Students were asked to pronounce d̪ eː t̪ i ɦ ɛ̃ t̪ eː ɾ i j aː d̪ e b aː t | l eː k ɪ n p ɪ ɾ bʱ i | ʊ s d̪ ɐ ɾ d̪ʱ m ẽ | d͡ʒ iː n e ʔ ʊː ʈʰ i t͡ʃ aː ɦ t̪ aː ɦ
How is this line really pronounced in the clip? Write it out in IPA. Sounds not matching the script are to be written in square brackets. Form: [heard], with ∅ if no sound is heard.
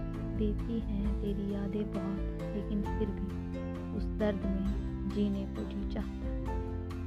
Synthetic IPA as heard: d̪ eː t̪ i ɦ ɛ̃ t̪ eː ɾ i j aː d̪ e b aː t | l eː k ɪ n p ɪ ɾ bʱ i | ʊ s d̪ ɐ ɾ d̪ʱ m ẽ | d͡ʒ iː n e [p] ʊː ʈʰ i t͡ʃ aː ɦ t̪ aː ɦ